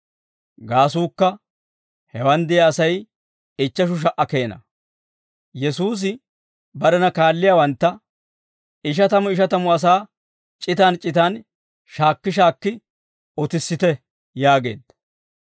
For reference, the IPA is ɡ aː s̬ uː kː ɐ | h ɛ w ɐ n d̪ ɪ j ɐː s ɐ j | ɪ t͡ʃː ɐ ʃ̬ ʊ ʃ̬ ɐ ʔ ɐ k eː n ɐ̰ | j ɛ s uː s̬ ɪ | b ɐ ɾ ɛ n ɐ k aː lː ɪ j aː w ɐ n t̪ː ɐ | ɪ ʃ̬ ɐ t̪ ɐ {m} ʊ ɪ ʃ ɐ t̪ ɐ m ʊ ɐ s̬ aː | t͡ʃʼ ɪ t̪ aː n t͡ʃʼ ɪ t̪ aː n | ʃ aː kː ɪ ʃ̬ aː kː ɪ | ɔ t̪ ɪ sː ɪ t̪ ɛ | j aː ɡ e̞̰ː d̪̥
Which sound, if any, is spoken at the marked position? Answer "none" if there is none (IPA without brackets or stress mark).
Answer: m